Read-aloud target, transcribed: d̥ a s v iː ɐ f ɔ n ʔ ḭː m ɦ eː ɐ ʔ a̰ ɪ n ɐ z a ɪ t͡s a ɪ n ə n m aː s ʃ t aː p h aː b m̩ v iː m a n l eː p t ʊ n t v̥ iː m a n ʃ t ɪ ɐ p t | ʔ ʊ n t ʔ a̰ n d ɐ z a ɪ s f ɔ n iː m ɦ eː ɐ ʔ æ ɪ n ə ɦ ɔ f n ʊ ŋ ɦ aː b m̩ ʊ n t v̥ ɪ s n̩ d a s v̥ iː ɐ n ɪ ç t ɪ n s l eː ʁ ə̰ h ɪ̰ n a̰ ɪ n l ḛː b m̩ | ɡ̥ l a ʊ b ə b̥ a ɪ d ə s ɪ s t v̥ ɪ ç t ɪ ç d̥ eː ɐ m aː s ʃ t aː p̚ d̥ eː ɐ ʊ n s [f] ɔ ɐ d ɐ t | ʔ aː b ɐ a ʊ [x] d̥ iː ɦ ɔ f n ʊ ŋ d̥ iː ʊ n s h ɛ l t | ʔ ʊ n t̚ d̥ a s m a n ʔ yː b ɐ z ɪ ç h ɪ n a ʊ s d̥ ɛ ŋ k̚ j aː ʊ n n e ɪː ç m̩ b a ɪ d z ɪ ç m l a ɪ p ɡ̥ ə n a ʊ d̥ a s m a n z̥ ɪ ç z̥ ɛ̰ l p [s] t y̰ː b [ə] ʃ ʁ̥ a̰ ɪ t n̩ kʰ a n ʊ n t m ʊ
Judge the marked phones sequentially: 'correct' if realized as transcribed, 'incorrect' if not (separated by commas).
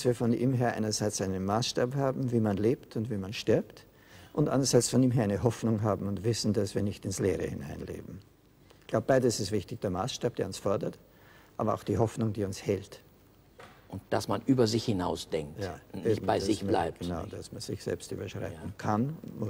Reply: correct, correct, correct, incorrect